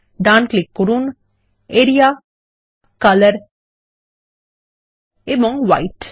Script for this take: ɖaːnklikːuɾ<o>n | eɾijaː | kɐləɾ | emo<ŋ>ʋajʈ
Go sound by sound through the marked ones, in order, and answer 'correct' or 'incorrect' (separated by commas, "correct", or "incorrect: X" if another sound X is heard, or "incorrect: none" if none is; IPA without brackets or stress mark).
incorrect: u, correct